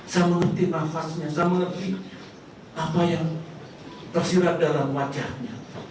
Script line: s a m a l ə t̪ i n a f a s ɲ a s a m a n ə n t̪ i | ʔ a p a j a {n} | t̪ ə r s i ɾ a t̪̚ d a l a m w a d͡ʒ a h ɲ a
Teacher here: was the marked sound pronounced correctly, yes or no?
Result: no